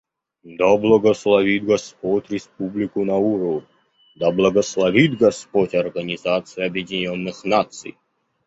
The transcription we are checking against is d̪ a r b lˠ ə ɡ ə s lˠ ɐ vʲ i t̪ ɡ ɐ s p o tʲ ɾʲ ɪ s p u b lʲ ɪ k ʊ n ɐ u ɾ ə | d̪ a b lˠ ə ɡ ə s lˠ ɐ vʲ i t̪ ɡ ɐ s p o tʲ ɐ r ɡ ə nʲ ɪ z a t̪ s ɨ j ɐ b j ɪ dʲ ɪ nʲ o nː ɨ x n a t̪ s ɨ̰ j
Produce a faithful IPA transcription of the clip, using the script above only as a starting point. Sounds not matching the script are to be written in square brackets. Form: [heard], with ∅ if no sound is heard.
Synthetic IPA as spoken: d̪ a [∅] b lˠ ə ɡ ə s lˠ ɐ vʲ i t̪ ɡ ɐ s p o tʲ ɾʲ ɪ s p u b lʲ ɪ k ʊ n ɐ u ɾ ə | d̪ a b lˠ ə ɡ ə s lˠ ɐ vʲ i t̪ ɡ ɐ s p o tʲ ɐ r ɡ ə nʲ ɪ z a t̪ s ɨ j ɐ b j ɪ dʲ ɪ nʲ o nː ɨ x n a t̪ s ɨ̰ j